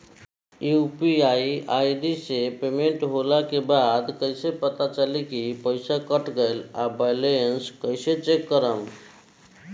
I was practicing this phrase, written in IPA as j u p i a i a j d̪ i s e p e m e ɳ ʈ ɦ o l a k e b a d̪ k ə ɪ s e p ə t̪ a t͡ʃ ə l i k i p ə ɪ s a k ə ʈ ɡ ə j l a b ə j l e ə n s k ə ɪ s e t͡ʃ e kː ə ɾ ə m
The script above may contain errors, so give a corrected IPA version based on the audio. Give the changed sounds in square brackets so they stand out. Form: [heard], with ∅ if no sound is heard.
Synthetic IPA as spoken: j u p i a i a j d̪ i s e p e m e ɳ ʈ ɦ o l a k e b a d̪ k ə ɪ s e p ə t̪ a t͡ʃ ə l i k i p ə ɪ s a k ə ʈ ɡ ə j l a b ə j l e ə n s k ə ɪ s e t͡ʃ e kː ə ɾ ə m